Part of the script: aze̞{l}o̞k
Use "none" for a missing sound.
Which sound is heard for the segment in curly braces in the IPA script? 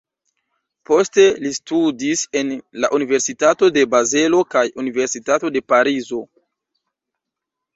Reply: l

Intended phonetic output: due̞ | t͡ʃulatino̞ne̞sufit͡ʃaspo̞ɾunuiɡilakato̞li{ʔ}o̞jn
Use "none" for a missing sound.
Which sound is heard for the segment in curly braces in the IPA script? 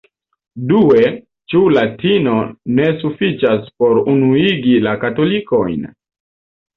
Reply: k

